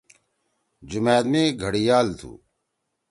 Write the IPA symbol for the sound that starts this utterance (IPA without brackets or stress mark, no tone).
d͡ʑ